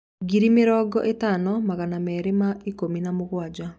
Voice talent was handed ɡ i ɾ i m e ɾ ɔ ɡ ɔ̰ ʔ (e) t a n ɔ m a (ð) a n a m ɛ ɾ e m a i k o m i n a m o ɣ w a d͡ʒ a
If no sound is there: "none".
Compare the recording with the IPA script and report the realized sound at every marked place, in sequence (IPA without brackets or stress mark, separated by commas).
e, ɣ